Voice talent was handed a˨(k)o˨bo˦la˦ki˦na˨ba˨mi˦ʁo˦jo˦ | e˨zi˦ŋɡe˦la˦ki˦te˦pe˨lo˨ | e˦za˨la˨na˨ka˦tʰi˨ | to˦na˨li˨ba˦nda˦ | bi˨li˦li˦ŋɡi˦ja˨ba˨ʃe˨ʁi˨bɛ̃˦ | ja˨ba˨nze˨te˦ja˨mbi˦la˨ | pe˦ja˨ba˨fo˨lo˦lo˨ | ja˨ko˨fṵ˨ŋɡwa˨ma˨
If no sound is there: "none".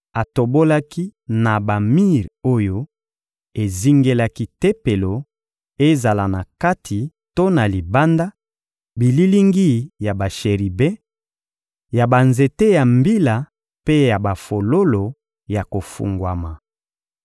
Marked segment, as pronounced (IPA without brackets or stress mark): t